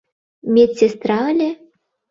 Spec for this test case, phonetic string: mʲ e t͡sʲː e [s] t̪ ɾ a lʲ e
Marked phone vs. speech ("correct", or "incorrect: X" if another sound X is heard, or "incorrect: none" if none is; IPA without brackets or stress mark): correct